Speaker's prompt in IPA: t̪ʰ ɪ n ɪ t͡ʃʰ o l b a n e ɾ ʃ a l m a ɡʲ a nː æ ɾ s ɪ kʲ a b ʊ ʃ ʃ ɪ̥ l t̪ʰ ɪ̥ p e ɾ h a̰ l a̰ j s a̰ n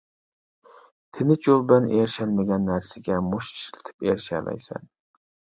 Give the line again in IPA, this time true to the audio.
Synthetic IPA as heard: t̪ʰ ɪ n ɪ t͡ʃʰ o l b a n e ɾ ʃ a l m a ɡʲ a nː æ ɾ s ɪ ɡʲ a m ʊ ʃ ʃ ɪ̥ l t̪ʰ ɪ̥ p e ɾ ʃ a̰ l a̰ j s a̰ n